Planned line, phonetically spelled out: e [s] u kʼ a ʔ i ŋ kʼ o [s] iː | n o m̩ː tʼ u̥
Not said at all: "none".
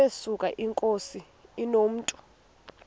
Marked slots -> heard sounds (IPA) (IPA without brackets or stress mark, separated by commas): s, s